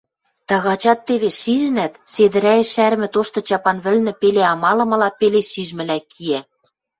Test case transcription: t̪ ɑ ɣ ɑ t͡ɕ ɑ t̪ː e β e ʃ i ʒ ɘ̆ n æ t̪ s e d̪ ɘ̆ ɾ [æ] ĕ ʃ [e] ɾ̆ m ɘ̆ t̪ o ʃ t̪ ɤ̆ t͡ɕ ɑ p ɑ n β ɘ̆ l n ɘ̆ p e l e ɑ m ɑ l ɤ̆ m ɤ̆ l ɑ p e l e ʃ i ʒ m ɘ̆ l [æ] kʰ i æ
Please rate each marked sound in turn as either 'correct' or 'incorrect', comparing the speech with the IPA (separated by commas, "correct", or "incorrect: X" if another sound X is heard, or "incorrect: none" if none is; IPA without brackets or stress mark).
correct, incorrect: æ, correct